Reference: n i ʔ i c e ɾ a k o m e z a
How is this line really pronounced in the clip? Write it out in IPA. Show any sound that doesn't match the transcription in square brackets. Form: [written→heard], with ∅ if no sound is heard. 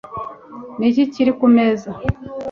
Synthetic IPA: n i [ʔ→c] i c [e→i] ɾ [a→i] k [o→u] m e z a

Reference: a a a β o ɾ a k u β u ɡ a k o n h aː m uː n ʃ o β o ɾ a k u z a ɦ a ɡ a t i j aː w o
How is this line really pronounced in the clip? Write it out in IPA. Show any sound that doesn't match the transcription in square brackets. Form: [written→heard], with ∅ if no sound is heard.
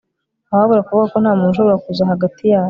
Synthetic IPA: a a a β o ɾ a k u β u ɡ a k o n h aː m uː n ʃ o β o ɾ a k u z a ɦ a ɡ a t i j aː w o

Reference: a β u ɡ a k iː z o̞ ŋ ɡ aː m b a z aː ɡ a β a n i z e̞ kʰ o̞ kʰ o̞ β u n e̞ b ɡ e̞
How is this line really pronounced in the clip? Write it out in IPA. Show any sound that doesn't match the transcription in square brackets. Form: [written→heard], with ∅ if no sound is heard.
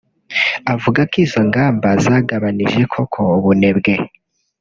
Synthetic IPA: a [β→v] u ɡ a k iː z o̞ ŋ ɡ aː m b a z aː ɡ a β a n i [z→ʒ] e̞ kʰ o̞ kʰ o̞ β u n e̞ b ɡ e̞

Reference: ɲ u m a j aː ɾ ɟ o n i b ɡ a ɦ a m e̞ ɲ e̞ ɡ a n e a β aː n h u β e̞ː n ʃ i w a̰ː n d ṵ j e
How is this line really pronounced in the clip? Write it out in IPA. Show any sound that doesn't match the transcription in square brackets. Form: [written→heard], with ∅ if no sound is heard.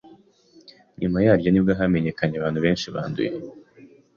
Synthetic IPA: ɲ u m a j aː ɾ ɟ o n i b ɡ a ɦ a m e̞ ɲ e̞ [ɡ→k] a [n→ɲ] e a β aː n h u β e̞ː n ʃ i [w→β] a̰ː n d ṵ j e

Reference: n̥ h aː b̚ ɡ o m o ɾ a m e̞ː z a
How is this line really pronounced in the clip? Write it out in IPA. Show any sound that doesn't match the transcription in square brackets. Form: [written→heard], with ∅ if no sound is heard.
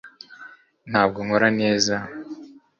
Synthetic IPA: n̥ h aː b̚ ɡ o [m→ŋ] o ɾ a [m→n] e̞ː z a

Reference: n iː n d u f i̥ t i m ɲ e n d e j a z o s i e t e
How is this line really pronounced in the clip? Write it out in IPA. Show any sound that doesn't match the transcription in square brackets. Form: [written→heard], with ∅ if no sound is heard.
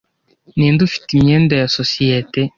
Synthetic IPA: n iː n d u f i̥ t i m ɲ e n d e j a [z→s] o s i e t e

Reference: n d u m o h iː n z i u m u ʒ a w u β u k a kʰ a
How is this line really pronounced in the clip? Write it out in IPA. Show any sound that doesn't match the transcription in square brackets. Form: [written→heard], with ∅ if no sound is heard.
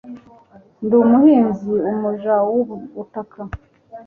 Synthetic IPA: n d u m [o→u] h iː n z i u m u ʒ a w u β u [k→t] a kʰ a

